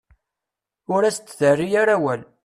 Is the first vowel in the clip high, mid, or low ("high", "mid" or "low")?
high